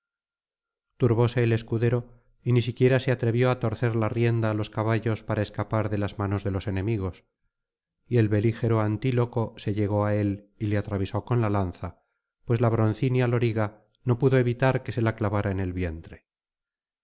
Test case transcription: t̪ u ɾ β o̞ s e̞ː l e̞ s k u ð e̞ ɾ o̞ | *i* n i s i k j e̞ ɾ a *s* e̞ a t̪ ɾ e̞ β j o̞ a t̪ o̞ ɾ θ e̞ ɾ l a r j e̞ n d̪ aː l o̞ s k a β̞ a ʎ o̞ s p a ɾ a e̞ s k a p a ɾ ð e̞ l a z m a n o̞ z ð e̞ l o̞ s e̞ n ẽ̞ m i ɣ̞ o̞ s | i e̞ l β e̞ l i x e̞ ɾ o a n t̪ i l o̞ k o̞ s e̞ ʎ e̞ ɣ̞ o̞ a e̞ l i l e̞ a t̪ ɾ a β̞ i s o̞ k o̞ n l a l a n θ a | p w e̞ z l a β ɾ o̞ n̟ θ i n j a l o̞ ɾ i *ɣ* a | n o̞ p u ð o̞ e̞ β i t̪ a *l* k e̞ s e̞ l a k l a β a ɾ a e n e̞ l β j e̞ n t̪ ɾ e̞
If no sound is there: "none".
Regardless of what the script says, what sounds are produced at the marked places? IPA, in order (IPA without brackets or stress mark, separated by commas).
i, s, ɣ, ɾ